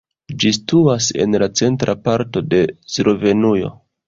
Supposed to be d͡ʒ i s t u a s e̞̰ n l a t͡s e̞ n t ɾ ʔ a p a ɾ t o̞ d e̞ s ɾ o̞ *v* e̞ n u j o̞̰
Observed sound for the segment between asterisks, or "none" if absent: v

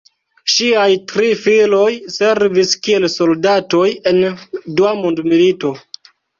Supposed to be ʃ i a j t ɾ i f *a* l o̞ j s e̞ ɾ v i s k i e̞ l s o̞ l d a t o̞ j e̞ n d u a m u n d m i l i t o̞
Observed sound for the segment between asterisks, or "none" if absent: i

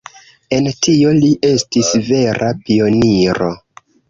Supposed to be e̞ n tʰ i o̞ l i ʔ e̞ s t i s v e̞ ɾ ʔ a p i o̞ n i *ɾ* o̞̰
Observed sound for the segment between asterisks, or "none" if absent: ɾ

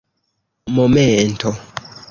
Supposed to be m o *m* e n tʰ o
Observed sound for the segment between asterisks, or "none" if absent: m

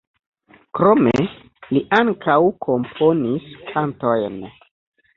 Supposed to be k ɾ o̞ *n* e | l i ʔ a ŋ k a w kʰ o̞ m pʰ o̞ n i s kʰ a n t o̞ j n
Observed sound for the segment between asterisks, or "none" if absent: m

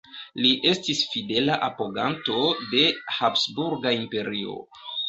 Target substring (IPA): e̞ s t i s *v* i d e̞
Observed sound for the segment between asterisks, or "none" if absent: f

